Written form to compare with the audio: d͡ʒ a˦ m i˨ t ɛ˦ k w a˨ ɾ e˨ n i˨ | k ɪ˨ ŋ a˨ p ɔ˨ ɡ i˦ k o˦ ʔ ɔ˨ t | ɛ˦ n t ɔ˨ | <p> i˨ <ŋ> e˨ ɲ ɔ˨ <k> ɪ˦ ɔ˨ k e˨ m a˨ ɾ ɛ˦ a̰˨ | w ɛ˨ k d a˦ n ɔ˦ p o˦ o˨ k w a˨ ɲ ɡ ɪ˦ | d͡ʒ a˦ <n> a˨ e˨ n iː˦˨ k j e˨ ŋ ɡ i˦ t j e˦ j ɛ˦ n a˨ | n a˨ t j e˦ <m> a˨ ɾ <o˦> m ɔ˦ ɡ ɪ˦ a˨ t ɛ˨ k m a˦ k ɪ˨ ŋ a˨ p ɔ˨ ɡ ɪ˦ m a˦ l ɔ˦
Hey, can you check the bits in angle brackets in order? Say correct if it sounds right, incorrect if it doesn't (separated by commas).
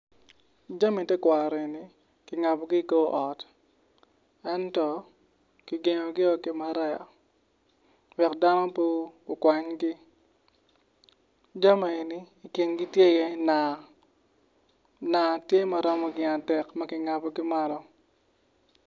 incorrect, incorrect, incorrect, incorrect, correct, incorrect